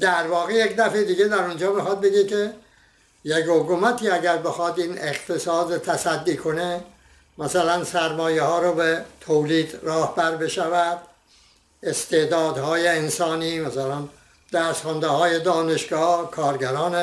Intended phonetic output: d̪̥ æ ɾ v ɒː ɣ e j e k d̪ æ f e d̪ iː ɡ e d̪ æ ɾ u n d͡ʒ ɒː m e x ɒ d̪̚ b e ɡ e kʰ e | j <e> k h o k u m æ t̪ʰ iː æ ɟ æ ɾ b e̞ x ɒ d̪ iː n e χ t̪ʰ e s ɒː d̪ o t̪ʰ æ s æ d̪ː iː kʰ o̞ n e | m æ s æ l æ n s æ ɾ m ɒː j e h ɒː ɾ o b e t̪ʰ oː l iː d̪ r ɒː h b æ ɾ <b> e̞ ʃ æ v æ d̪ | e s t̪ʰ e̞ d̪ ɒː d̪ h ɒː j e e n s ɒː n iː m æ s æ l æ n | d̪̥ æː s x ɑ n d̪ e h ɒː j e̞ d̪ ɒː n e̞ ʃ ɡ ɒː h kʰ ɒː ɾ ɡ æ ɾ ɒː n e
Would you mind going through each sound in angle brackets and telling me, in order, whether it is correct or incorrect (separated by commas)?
correct, correct